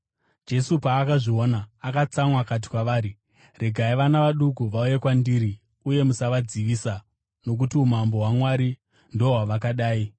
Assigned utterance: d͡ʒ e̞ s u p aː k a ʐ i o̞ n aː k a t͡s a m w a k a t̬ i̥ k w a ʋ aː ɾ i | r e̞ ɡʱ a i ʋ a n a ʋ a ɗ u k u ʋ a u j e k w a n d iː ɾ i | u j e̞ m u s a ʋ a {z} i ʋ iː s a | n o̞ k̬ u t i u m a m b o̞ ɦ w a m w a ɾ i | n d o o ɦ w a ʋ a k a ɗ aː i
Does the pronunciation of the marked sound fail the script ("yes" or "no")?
yes